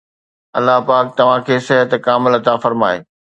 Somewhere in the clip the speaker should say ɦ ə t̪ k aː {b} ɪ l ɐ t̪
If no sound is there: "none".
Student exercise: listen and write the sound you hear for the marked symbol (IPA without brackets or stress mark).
m